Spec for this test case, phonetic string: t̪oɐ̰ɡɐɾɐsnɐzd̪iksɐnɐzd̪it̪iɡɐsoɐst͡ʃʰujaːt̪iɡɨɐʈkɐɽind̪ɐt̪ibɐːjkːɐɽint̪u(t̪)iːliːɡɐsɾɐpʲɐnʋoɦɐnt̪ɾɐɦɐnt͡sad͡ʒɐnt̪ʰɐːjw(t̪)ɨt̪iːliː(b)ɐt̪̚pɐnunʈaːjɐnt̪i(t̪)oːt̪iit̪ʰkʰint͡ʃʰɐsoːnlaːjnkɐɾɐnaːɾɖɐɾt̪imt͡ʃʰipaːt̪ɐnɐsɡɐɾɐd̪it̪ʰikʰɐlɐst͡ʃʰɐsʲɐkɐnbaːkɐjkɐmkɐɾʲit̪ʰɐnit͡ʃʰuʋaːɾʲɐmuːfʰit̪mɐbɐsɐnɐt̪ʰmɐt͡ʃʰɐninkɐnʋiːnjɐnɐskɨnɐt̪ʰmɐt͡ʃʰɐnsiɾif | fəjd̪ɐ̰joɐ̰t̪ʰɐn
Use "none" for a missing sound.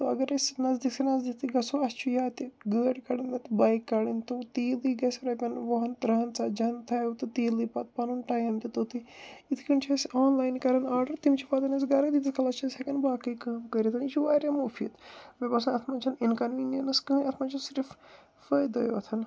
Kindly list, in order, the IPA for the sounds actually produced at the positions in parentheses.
t̪, t̪, p, t̪

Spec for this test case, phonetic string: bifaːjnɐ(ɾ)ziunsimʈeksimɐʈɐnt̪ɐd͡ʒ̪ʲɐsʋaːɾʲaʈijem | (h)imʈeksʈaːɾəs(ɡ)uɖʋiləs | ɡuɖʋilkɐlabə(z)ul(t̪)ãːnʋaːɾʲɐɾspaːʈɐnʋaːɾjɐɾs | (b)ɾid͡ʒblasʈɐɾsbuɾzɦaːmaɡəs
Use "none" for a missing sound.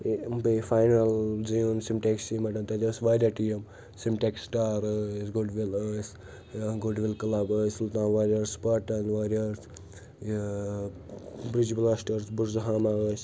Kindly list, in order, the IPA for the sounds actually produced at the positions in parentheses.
l, s, ɡ, s, t̪, b

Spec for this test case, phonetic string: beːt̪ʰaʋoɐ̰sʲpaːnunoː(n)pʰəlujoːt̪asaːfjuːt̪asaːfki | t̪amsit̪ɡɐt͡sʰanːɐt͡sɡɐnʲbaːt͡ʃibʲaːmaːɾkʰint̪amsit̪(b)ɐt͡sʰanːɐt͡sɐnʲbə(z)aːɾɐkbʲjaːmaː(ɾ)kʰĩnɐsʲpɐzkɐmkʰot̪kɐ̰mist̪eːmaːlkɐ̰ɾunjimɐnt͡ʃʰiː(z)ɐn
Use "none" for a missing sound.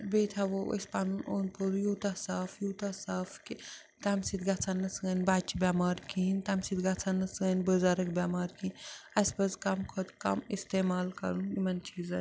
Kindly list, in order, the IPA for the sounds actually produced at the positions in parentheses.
n, ɡ, z, ɾ, z

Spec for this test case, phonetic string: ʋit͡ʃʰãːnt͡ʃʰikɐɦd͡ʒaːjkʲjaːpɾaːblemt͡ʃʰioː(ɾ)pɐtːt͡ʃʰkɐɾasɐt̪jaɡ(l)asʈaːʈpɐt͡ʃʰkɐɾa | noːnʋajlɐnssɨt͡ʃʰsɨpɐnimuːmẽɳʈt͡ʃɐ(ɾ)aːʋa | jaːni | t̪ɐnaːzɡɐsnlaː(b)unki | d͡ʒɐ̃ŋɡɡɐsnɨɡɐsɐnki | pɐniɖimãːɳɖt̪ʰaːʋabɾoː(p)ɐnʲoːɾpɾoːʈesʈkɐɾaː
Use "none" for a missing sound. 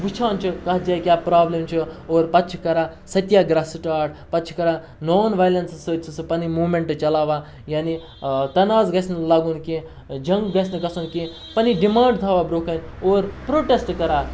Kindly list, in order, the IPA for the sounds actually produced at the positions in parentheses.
ɾ, ɾ, l, ɡ, k

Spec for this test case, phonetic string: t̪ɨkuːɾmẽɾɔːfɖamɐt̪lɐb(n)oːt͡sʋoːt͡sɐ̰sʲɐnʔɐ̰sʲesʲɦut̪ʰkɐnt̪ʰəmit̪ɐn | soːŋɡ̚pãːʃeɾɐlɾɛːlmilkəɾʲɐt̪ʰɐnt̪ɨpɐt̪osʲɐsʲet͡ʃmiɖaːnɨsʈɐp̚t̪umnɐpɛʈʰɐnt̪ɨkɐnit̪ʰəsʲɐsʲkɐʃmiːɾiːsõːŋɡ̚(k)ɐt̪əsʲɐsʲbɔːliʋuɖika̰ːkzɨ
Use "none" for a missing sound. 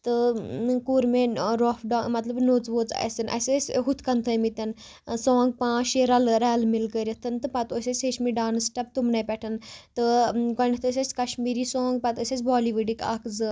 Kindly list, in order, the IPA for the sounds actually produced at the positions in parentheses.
n, p

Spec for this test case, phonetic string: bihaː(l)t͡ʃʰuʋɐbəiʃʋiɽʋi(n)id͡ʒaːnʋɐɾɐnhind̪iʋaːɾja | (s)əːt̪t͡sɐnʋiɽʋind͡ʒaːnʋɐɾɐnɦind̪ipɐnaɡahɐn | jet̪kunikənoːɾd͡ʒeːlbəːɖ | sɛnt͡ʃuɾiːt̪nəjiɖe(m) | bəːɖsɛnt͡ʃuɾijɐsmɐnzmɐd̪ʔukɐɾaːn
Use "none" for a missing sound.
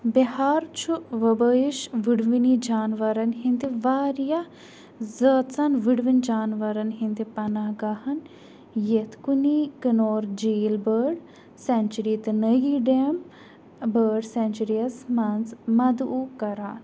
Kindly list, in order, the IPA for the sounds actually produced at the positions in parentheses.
ɾ, n, z, m

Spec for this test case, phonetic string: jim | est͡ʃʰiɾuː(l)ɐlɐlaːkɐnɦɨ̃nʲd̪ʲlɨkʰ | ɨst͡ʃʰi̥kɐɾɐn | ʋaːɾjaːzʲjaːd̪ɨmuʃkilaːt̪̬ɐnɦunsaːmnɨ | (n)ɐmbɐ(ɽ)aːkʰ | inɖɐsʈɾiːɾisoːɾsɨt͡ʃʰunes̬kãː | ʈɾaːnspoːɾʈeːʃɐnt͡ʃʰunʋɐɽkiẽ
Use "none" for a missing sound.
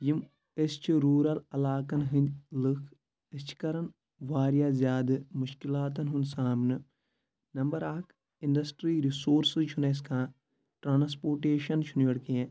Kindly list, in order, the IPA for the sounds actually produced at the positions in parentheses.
ɾ, n, ɾ

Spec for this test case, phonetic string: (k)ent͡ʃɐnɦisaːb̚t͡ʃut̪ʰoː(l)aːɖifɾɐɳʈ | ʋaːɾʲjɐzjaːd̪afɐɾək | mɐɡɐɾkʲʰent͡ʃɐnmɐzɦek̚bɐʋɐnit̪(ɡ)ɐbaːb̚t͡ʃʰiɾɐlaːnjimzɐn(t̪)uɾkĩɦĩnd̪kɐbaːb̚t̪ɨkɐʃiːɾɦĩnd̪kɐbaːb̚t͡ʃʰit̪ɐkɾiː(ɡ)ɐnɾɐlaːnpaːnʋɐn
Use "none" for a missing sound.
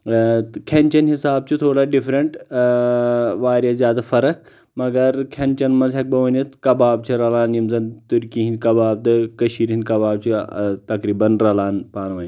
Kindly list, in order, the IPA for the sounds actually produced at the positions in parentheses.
kʰ, ɽ, k, t̪, b

